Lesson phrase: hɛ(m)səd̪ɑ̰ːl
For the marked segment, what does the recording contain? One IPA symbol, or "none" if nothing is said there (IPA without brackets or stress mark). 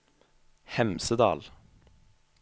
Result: m